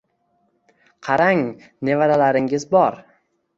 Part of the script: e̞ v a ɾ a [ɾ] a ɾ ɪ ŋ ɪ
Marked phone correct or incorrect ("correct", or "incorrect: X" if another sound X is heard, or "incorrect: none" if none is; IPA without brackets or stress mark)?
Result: incorrect: l